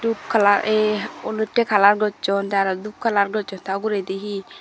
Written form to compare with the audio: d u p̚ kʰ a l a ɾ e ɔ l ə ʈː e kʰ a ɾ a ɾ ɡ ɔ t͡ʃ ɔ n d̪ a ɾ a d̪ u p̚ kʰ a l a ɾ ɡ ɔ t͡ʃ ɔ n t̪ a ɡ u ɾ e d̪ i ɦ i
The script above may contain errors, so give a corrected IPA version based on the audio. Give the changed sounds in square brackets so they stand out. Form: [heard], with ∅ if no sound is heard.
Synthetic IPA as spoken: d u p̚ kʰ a l a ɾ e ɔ l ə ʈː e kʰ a [l] a ɾ ɡ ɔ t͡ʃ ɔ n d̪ a ɾ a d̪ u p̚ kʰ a l a ɾ ɡ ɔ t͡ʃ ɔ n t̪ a ɡ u ɾ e d̪ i ɦ i